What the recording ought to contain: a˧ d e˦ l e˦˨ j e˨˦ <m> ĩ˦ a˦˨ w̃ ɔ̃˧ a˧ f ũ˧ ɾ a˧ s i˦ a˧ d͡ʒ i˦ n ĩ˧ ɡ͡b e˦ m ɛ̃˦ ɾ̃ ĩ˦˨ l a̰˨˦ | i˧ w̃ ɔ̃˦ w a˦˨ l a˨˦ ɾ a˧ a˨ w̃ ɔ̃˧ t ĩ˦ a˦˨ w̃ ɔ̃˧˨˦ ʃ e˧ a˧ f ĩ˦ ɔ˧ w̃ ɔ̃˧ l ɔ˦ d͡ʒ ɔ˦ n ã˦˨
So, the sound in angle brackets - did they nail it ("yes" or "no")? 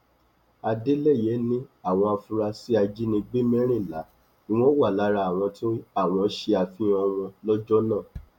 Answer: no